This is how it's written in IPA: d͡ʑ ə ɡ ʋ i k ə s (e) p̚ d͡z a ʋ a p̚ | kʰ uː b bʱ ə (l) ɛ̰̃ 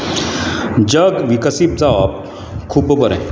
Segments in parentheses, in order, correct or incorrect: incorrect: i, incorrect: ɾ

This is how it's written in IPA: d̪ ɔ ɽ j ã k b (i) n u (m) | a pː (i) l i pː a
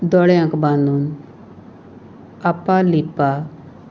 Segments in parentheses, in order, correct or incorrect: incorrect: a, incorrect: n, incorrect: a

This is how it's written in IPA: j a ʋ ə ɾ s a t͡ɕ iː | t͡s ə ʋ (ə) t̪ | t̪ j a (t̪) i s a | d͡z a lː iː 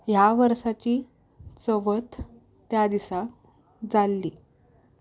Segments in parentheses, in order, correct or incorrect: correct, incorrect: d̪

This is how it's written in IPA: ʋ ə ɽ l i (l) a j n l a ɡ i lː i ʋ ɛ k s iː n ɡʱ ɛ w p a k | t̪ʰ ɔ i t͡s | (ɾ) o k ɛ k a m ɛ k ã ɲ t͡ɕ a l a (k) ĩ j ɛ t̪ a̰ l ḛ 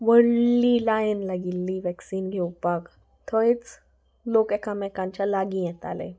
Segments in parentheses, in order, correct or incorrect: correct, incorrect: l, incorrect: ɡ

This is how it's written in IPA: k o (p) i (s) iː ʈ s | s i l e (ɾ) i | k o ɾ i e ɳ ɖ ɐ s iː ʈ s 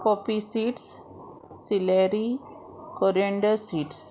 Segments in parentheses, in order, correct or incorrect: correct, correct, correct

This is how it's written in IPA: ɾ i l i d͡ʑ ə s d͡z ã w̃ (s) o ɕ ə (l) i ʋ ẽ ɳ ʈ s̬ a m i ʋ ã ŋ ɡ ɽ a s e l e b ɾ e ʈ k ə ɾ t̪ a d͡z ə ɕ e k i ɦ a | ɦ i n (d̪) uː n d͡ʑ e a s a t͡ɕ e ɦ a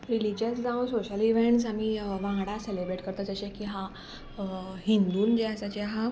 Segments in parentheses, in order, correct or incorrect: correct, correct, correct

